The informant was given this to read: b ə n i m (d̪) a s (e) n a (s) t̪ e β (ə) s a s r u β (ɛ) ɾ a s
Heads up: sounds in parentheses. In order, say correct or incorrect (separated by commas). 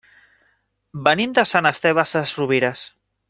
correct, incorrect, correct, incorrect, incorrect